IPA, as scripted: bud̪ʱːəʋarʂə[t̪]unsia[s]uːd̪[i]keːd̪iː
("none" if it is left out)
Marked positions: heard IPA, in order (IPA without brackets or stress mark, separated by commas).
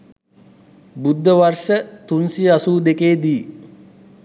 t̪, s, e